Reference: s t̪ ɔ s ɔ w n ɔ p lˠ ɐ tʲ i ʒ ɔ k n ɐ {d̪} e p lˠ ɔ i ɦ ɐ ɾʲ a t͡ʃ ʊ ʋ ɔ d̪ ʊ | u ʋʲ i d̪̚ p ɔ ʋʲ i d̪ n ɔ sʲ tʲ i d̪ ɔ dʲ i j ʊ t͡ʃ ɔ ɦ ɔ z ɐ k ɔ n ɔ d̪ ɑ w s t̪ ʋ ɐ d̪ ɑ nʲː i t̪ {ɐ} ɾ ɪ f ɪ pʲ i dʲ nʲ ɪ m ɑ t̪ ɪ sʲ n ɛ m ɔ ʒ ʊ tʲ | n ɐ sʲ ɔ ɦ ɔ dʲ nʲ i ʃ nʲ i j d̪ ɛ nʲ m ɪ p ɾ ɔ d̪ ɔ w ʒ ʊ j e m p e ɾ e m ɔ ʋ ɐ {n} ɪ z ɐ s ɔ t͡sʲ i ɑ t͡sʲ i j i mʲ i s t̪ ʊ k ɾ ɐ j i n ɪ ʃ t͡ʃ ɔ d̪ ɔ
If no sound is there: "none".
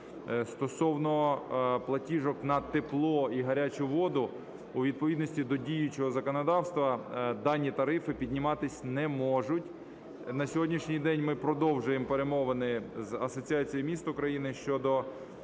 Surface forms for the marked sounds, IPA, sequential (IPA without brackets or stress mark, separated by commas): t̪, ɐ, n